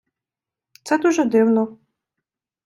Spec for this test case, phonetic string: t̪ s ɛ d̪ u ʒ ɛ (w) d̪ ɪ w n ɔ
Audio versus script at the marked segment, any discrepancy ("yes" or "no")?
yes